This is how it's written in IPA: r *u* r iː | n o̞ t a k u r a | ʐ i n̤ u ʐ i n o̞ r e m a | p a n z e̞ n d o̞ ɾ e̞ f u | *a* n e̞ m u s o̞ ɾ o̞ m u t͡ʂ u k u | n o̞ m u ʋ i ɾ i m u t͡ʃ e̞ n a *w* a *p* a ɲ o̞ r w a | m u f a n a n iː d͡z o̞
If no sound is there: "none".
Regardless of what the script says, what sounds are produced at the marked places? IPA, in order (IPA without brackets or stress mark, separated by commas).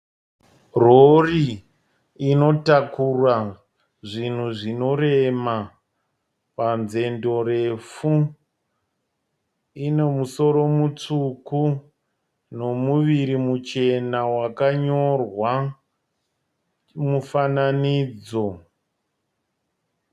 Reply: o, i, w, k